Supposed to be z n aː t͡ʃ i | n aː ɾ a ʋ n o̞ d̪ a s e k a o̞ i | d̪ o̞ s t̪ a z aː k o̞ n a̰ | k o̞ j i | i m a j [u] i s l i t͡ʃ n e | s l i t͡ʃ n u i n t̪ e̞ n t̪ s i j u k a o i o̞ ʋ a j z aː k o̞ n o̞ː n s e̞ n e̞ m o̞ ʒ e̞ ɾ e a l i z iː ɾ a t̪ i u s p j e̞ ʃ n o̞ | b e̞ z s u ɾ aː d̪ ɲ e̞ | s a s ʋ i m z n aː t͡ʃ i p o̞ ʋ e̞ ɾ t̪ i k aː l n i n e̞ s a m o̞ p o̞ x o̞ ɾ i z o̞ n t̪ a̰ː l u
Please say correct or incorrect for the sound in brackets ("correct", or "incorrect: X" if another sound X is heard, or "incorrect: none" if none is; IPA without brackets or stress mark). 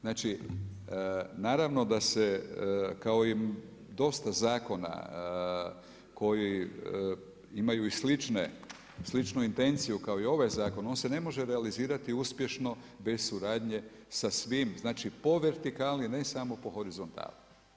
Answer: correct